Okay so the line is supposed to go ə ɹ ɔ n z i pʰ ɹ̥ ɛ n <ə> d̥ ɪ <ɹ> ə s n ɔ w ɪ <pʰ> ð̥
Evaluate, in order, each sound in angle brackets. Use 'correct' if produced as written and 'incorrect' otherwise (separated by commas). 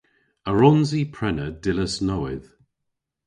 correct, incorrect, incorrect